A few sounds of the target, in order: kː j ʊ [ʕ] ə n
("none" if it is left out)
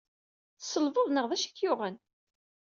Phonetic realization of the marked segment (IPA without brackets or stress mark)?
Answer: ʁ